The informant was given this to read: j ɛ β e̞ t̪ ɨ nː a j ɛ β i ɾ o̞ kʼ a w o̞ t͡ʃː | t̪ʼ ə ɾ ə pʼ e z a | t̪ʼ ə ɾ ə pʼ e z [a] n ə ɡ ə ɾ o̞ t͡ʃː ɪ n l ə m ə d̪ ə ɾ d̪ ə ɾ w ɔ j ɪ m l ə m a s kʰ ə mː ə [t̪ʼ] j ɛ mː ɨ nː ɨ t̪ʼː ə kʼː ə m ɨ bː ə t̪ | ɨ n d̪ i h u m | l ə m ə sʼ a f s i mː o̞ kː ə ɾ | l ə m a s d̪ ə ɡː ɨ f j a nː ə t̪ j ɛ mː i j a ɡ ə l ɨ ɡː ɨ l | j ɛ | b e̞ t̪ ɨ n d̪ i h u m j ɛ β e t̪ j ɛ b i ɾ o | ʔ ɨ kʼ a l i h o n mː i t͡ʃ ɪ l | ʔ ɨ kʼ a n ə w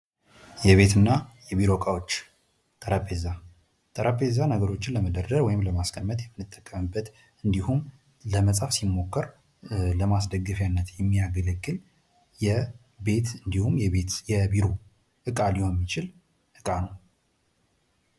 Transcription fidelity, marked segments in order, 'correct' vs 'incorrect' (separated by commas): correct, incorrect